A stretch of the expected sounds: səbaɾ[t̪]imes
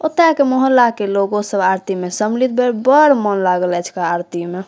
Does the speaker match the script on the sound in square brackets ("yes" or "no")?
yes